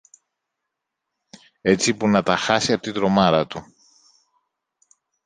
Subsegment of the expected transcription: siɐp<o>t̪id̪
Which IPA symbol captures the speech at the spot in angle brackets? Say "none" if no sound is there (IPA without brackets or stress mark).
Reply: o